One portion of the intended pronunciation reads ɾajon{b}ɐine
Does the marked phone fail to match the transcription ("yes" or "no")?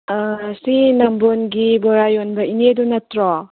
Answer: no